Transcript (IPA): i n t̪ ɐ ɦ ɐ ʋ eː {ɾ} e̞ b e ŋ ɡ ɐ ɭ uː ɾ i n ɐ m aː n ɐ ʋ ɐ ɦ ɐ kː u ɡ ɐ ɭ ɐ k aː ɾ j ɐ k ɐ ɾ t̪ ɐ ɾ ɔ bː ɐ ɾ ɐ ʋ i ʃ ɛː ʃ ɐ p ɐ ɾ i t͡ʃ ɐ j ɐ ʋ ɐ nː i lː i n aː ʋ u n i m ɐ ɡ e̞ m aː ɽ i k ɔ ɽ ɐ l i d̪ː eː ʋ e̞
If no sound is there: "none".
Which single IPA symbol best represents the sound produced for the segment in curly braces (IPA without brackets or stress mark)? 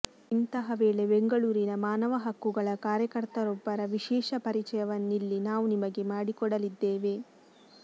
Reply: ɭ